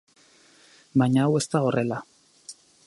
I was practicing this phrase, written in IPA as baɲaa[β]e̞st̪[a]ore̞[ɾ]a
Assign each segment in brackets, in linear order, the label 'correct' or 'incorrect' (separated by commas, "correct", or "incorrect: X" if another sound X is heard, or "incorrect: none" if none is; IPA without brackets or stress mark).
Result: incorrect: w, correct, incorrect: l